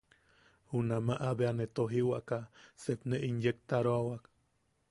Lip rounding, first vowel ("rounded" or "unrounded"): rounded